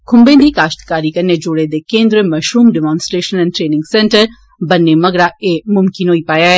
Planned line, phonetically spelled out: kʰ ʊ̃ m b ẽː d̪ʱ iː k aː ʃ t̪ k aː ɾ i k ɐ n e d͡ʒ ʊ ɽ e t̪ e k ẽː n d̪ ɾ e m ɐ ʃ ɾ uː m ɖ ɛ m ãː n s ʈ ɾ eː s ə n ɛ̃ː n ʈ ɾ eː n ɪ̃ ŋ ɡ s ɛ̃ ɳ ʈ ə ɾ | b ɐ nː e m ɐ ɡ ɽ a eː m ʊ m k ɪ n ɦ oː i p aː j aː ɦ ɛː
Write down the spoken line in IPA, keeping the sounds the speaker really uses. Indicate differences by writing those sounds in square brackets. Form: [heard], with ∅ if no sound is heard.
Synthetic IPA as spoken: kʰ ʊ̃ m b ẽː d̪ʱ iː k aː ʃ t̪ k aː ɾ i k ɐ n e d͡ʒ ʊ ɽ e [d̪] e k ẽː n d̪ ɾ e m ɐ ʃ ɾ uː m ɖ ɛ m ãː n s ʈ ɾ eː [ʃ] ə n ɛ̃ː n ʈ ɾ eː n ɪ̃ ŋ ɡ s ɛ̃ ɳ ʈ ə ɾ | b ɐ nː e m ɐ ɡ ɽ a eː m ʊ m k ɪ n ɦ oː i p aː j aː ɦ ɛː